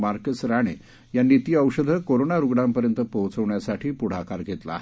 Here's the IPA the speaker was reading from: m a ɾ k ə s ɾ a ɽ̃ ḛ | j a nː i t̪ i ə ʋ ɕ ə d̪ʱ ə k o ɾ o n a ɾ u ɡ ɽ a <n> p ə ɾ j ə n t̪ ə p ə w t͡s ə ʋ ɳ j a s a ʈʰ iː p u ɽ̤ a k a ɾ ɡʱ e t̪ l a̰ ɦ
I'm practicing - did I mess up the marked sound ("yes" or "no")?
yes